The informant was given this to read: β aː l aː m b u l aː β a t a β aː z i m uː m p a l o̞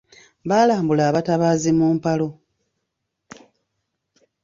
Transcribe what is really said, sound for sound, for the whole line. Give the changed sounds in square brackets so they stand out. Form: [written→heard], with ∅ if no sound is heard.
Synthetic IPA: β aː l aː m b u l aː β a t a β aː z i m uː m p a l o̞